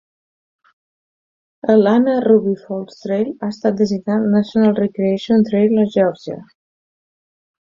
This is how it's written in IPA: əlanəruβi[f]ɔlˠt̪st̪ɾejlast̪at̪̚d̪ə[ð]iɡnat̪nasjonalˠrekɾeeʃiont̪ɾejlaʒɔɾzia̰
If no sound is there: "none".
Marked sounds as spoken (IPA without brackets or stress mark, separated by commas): f, z